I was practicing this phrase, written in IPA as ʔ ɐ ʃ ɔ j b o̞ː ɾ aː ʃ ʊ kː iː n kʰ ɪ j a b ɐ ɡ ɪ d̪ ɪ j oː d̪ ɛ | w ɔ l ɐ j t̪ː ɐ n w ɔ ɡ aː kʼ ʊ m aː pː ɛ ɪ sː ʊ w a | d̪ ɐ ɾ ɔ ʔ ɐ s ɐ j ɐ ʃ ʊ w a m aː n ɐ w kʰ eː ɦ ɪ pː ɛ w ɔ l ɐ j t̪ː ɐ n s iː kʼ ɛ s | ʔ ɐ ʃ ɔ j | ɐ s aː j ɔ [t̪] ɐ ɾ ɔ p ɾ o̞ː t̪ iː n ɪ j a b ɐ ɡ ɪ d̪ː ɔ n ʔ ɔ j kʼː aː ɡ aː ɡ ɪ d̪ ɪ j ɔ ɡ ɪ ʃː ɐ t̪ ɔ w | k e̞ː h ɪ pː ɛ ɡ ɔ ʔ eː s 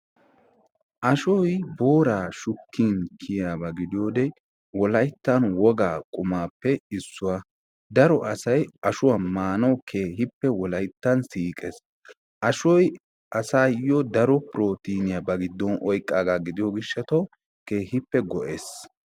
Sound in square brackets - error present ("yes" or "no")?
yes